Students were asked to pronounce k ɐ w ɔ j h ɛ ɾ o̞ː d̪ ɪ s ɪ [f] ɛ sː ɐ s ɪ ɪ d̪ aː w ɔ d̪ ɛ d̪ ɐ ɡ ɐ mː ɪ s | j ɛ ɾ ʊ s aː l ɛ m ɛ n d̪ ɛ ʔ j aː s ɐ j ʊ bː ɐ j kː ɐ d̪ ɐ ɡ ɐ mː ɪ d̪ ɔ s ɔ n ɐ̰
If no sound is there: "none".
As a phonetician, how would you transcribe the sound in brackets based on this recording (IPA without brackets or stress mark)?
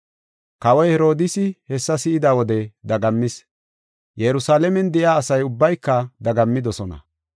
h